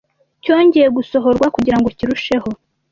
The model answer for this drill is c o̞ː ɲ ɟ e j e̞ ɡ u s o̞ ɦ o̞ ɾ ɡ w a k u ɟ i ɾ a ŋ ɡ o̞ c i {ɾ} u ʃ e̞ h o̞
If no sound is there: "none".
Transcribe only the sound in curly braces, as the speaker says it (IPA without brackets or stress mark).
ɾ